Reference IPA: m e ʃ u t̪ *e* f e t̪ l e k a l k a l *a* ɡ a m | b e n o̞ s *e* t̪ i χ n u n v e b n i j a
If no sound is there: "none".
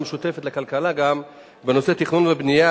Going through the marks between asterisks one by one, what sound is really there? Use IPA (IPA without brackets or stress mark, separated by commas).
e, a, e